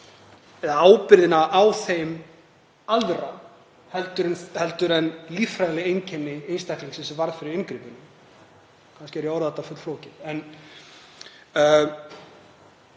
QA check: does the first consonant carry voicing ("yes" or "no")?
yes